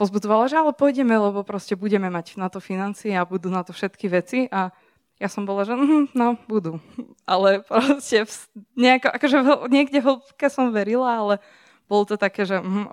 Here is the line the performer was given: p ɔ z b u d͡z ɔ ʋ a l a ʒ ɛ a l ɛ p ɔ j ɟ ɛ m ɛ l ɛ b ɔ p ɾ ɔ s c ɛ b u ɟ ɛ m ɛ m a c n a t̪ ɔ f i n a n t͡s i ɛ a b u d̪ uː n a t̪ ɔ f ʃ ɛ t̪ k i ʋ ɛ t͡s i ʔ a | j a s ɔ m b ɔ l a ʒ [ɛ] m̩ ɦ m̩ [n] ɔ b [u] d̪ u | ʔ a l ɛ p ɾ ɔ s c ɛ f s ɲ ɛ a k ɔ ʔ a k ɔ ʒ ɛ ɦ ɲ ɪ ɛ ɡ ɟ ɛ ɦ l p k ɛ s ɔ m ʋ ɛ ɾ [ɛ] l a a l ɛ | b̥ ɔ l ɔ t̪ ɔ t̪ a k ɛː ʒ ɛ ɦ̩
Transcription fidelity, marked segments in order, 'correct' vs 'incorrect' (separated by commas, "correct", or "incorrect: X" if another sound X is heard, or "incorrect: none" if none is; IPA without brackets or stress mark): correct, correct, correct, incorrect: i